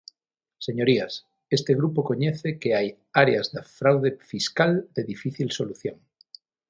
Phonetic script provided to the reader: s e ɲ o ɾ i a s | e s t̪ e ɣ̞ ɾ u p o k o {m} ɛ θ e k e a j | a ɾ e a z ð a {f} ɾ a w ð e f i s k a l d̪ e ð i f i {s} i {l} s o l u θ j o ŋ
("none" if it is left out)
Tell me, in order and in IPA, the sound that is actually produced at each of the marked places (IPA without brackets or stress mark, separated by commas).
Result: ɲ, f, θ, l